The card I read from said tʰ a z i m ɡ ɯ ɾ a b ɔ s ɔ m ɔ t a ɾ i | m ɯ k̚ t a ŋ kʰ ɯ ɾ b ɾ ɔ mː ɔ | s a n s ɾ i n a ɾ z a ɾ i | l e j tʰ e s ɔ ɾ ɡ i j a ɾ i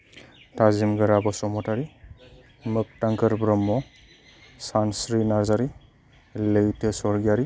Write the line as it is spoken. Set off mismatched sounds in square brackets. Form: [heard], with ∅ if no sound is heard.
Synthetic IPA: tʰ a z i m ɡ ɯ ɾ a b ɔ s ɔ m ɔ t a ɾ i | m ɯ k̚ t a ŋ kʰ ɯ ɾ b ɾ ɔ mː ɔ | s a n s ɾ i n a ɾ z a ɾ i | l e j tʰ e s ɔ ɾ ɡ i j a ɾ i